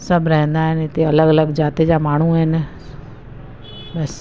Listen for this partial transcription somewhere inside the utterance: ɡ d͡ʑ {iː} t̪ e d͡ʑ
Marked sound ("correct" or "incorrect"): incorrect